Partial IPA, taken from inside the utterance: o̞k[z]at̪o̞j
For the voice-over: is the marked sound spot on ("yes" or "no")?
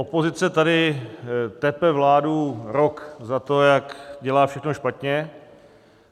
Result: yes